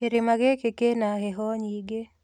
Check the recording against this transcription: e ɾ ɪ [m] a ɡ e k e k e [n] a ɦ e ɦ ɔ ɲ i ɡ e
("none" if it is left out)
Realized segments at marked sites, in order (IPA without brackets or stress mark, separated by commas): m, n